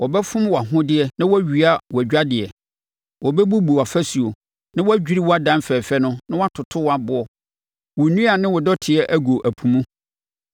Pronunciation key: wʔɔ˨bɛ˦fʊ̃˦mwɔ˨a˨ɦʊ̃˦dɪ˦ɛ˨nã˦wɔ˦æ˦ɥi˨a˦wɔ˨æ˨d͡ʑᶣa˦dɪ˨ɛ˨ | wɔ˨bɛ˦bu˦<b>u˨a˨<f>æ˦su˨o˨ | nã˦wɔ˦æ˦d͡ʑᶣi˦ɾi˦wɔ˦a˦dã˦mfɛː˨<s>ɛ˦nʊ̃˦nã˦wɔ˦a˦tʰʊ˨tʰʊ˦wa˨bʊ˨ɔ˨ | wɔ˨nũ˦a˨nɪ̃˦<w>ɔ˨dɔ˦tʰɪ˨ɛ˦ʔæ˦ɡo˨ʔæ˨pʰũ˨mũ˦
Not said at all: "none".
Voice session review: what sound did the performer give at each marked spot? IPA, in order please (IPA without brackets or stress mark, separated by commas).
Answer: b, f, f, w